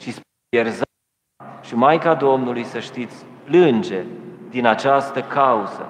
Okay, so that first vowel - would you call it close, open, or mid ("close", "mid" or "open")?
close